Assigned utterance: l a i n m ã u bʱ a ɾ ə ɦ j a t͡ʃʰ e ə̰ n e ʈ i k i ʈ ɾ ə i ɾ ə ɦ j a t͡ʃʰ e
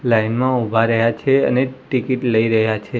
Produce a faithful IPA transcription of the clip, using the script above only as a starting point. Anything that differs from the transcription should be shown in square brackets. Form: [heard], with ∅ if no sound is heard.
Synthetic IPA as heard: l a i n m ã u bʱ a ɾ ə ɦ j a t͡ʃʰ e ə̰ n e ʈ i k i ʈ [l] ə i ɾ ə ɦ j a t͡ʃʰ e

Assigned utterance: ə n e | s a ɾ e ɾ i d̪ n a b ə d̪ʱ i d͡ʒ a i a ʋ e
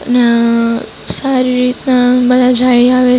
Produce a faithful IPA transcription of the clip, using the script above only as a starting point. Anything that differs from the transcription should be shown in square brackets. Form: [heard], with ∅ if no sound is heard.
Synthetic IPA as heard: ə n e | s a ɾ [i] ɾ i [t̪] n a b ə d̪ʱ [a] d͡ʒ a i a ʋ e

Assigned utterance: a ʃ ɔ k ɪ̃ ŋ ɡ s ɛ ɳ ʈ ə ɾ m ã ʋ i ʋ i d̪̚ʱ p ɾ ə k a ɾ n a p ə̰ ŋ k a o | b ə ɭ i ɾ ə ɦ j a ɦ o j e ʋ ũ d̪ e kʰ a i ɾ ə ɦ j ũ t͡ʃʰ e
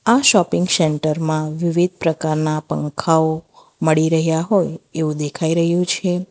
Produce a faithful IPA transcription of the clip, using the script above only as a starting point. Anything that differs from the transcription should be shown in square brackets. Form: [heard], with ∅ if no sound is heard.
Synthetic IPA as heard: a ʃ ɔ [p] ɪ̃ ŋ ɡ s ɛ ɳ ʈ ə ɾ m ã ʋ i ʋ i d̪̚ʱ p ɾ ə k a ɾ n a p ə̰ ŋ [kʰ] a o | [m] ə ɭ i ɾ ə ɦ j a ɦ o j e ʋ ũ d̪ e kʰ a i ɾ ə ɦ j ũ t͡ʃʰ e

